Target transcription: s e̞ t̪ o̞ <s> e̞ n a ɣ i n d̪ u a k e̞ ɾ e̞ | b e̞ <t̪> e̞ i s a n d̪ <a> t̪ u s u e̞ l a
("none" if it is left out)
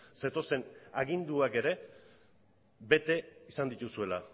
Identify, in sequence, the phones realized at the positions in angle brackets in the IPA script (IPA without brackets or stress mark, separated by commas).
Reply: s, t̪, i